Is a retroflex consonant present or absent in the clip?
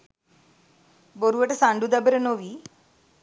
present